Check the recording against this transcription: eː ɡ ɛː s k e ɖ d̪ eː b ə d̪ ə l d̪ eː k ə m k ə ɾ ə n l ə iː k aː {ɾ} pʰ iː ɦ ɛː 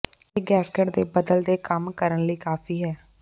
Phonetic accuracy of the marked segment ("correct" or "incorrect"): incorrect